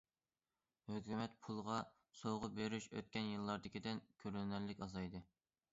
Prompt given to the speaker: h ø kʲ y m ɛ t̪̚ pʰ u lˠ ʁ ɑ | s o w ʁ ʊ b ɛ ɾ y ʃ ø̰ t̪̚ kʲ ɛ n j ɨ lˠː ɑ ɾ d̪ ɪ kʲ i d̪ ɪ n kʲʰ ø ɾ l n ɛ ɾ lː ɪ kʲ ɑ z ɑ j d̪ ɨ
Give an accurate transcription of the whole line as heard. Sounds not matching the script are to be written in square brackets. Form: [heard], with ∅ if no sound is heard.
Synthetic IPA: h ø kʲ y m ɛ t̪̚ pʰ u lˠ ʁ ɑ | s o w ʁ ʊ b [e] ɾ y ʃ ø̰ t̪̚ kʲ ɛ n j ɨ lˠː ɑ ɾ d̪ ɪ kʲ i d̪ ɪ n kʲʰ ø ɾ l n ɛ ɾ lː ɪ kʲ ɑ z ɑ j d̪ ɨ